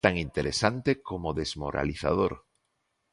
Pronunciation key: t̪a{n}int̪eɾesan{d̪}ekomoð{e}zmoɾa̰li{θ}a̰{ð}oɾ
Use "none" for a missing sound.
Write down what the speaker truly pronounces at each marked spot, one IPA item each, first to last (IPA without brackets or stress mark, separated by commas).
ŋ, t̪, e, θ, ð